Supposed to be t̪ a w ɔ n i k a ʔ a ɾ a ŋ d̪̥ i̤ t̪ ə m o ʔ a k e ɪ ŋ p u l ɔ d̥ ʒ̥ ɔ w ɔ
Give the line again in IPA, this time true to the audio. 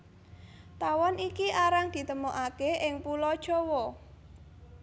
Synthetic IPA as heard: t̪ a w ɔ n i k i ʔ a ɾ a ŋ d̪̥ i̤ t̪ ə m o ʔ a k e ɪ ŋ p u l ɔ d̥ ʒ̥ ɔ w ɔ